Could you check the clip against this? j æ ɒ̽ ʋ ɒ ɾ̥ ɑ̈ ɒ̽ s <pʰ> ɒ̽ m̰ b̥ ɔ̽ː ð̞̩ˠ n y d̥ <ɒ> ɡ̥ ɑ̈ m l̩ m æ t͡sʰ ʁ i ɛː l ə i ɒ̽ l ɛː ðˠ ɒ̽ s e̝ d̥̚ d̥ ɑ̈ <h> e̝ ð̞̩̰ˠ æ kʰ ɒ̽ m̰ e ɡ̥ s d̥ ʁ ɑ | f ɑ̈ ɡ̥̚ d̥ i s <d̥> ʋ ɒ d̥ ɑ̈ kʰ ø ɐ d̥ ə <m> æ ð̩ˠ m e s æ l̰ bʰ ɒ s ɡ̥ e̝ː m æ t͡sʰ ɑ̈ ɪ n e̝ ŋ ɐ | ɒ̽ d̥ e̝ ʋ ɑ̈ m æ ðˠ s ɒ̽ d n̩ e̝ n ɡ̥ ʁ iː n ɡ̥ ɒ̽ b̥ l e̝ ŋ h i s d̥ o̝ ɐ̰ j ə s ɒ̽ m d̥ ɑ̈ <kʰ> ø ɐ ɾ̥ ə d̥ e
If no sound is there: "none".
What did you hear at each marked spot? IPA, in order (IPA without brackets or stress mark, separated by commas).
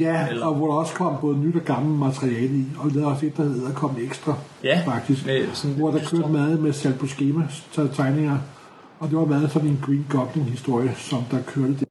kʰ, ɒ, h, ɡ̥, m, kʰ